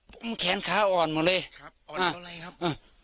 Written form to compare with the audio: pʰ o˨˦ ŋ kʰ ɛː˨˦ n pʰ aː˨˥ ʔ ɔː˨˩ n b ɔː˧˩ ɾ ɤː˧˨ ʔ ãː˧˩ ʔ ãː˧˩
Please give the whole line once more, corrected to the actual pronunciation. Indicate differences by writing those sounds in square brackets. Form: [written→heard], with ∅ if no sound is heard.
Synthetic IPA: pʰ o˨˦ [ŋ→m] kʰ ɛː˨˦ n [pʰ→kʰ] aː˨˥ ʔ ɔː˨˩ n [b→m] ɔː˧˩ [ɾ→l] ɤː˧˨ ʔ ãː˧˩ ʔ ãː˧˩